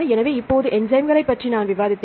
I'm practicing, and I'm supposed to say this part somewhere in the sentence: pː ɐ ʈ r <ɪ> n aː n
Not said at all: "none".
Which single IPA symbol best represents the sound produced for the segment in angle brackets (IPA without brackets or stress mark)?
i